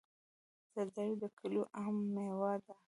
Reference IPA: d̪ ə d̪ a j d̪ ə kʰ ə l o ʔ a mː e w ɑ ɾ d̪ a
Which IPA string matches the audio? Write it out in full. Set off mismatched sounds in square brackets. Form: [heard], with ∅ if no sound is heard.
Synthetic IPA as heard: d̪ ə d̪ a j d̪ ə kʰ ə l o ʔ a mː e w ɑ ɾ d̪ a